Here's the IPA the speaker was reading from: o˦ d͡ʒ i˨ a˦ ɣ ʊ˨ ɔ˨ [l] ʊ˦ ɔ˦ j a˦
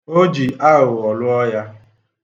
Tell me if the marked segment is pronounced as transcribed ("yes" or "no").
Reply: yes